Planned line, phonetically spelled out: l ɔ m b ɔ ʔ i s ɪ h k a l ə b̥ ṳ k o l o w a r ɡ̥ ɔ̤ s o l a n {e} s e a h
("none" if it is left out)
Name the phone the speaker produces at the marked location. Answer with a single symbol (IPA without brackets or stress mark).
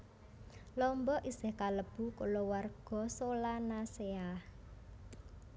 a